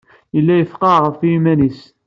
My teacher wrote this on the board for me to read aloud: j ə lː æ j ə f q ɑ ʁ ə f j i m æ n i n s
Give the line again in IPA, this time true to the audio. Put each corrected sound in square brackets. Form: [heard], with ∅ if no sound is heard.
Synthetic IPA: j ə lː æ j ə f q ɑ ʁ ə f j i m æ n i [∅] s